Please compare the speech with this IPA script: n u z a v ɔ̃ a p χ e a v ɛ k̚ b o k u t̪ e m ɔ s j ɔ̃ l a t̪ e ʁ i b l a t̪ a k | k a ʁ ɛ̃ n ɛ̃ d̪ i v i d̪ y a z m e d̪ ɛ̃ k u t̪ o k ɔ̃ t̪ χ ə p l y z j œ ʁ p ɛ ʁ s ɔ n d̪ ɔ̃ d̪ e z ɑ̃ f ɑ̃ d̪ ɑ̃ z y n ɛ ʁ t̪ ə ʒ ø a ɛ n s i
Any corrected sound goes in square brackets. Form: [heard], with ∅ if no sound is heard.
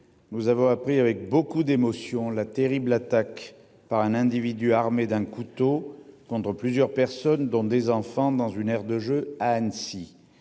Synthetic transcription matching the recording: n u z a v ɔ̃ a p χ [i] a v ɛ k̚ b o k u [d̪] e m ɔ s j ɔ̃ l a t̪ e ʁ i b l a t̪ a k | [p] a ʁ ɛ̃ n ɛ̃ d̪ i v i d̪ y a [ʁ] m e d̪ ɛ̃ k u t̪ o k ɔ̃ t̪ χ ə p l y z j œ ʁ p ɛ ʁ s ɔ n d̪ ɔ̃ d̪ e z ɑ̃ f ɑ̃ d̪ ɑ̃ z y n ɛ ʁ [d̪] ə ʒ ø a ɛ n s i

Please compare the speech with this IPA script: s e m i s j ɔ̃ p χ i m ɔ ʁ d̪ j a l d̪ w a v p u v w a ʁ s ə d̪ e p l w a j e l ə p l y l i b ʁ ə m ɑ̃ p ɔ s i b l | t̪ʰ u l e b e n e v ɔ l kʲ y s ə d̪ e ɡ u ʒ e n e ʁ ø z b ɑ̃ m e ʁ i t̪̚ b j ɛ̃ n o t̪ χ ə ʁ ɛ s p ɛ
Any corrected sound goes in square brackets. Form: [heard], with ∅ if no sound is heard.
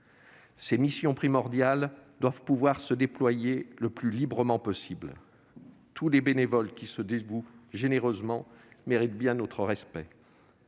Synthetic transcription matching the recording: s e m i s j ɔ̃ p χ i m ɔ ʁ d̪ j a l d̪ w a v p u v w a ʁ s ə d̪ e p l w a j e l ə p l y l i b ʁ ə m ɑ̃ p ɔ s i b l | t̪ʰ u l e b e n e v ɔ l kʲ [i] s ə d̪ e ɡ u ʒ e n e ʁ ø z [m] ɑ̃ m e ʁ i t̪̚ b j ɛ̃ n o t̪ χ ə ʁ ɛ s p ɛ

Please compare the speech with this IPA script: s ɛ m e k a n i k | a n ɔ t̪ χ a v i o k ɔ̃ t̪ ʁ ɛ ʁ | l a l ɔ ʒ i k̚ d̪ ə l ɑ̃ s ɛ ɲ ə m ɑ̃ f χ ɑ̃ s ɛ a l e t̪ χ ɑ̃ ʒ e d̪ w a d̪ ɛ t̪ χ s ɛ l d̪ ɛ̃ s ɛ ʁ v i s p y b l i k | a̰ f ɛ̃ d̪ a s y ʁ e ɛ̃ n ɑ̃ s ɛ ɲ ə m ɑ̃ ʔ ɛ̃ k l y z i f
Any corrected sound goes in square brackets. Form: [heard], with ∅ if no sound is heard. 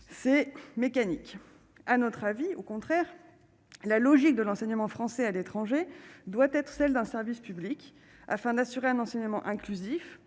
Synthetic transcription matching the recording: s ɛ m e k a n i k | a n ɔ t̪ χ a v i o k ɔ̃ t̪ [χ] ɛ ʁ | l a l ɔ ʒ i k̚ d̪ ə l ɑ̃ s ɛ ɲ ə m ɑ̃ f χ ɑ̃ s ɛ a l e t̪ χ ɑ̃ ʒ e d̪ w a [t̪] ɛ t̪ χ s ɛ l d̪ ɛ̃ s ɛ ʁ v i s p y b l i k | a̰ f ɛ̃ d̪ a s y ʁ e ɛ̃ n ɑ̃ s ɛ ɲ ə m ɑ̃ ʔ ɛ̃ k l y z i f

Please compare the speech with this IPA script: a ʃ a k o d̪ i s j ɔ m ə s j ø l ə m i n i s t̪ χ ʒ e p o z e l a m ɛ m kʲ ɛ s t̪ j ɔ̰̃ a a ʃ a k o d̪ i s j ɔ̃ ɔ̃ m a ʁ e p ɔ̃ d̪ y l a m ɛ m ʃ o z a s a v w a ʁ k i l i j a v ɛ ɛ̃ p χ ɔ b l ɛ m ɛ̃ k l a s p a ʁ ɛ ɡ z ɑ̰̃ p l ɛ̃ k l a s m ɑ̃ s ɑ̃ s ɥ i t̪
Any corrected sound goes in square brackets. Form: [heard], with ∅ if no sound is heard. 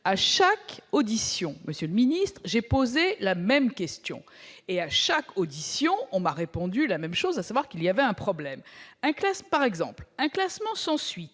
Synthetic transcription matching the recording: a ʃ a k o d̪ i s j [ɔ̃] m ə s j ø l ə m i n i s t̪ χ ʒ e p o z e l a m ɛ m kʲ ɛ s t̪ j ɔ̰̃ [e] a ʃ a k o d̪ i s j ɔ̃ ɔ̃ m a ʁ e p ɔ̃ d̪ y l a m ɛ m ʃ o z a s a v w a ʁ k i l i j a v ɛ ɛ̃ p χ ɔ b l ɛ m ɛ̃ k l a s p a ʁ ɛ ɡ z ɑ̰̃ p l ɛ̃ k l a s m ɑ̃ s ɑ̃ s ɥ i t̪

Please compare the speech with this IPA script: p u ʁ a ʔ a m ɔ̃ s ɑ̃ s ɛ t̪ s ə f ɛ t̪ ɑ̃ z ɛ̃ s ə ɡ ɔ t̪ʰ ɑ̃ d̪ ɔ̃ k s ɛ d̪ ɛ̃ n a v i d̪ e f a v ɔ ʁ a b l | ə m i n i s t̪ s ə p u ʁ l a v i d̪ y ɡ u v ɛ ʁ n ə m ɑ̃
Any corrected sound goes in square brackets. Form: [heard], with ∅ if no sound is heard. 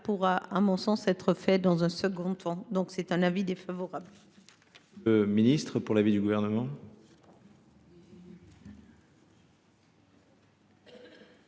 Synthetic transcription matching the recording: p u ʁ a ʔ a m ɔ̃ s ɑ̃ s ɛ t̪ [χ] ə f ɛ [d̪] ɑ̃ z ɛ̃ s ə ɡ [ɔ̃] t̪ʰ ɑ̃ d̪ ɔ̃ k s ɛ [t̪] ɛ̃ n a v i d̪ e f a v ɔ ʁ a b l | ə m i n i s t̪ [χ] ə p u ʁ l a v i d̪ y ɡ u v ɛ ʁ n ə m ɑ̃

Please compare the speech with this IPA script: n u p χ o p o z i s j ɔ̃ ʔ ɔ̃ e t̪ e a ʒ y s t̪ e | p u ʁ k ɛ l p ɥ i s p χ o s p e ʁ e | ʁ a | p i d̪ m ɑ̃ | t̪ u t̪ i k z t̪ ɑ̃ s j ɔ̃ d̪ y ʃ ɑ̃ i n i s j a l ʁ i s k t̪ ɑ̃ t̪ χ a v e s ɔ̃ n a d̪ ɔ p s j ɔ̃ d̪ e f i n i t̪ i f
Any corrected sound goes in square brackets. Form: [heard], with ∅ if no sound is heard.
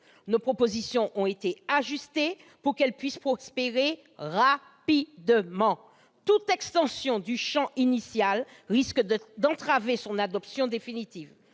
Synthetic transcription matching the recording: n [o] p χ o p o z i s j ɔ̃ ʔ ɔ̃ e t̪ e a ʒ y s t̪ e | p u ʁ k ɛ l p ɥ i s p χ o s p e ʁ e | ʁ a | p i d̪ m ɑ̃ | t̪ u t̪ [ɛ] k [s] t̪ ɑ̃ s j ɔ̃ d̪ y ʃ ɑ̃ i n i s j a l ʁ i s k [d̪] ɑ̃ t̪ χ a v e s ɔ̃ n a d̪ ɔ p s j ɔ̃ d̪ e f i n i t̪ i [v]

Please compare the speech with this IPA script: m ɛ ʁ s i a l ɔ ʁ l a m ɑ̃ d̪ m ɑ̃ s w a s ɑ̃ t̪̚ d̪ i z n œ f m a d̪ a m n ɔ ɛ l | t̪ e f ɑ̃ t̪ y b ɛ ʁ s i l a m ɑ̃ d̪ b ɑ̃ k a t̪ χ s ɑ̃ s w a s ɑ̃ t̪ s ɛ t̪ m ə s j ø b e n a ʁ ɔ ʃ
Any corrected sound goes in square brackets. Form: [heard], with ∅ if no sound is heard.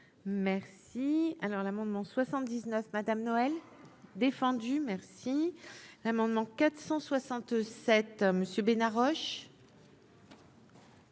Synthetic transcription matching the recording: m ɛ ʁ s i a l ɔ ʁ l a m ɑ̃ d̪ m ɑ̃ s w a s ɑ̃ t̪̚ d̪ i z n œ f m a d̪ a m n ɔ ɛ l | [d̪] e f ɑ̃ [d̪] y [m] ɛ ʁ s i l a m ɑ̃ d̪ [m] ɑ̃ k a t̪ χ s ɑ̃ s w a s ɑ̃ t̪ s ɛ t̪ m ə s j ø b e n a ʁ ɔ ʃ

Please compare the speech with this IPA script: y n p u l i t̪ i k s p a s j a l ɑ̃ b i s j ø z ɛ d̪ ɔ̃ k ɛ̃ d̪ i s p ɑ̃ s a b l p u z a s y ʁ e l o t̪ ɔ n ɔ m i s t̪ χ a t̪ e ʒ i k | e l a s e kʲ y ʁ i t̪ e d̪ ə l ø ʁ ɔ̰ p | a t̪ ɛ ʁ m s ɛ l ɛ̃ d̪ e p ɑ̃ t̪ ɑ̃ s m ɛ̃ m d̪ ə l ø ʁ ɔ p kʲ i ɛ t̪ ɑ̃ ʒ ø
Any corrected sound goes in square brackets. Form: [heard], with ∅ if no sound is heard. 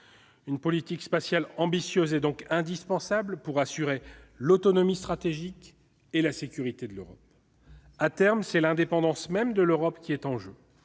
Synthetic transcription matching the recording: y n p [ɔ] l i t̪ i k s p a s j a l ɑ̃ b i s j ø z ɛ d̪ ɔ̃ k ɛ̃ d̪ i s p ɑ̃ s a b l p u [ʁ] a s y ʁ e l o t̪ ɔ n ɔ m i s t̪ χ a t̪ e ʒ i k | e l a s e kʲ y ʁ i t̪ e d̪ ə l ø ʁ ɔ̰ p | a t̪ ɛ ʁ m s ɛ l ɛ̃ d̪ e p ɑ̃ [d̪] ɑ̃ s m [ɛ] m d̪ ə l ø ʁ ɔ p kʲ i ɛ t̪ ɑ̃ ʒ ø

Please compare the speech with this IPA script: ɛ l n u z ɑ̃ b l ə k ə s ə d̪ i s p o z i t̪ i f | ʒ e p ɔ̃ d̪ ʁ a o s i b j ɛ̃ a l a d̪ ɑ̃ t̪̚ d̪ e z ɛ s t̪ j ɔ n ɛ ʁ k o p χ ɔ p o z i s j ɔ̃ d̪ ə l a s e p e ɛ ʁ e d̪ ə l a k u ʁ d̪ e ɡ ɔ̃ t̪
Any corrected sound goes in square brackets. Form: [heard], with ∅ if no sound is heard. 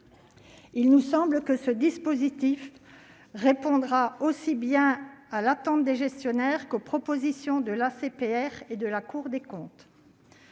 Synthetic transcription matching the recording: [i] l n u [s] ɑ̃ b l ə k ə s ə d̪ i s p o z i t̪ i f | [ʁ] e p ɔ̃ d̪ ʁ a o s i b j ɛ̃ a l a [t̪] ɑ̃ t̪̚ d̪ e [ʒ] ɛ s t̪ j ɔ n ɛ ʁ k o p χ ɔ p o z i s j ɔ̃ d̪ ə l a s e p e ɛ ʁ e d̪ ə l a k u ʁ d̪ e [k] ɔ̃ t̪

